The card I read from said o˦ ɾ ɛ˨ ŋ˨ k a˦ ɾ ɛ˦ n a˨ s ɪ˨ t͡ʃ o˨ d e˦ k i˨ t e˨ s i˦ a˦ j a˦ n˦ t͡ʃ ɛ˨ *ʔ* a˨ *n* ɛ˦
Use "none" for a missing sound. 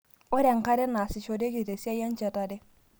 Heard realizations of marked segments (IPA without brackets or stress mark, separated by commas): t, d